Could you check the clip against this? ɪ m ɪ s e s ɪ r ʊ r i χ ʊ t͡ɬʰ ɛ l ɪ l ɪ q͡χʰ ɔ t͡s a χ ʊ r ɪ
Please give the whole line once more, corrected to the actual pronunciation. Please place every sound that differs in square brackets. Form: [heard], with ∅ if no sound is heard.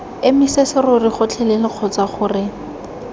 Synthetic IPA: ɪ m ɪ s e s ɪ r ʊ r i χ ʊ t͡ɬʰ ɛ l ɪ l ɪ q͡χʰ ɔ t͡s a χ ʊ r ɪ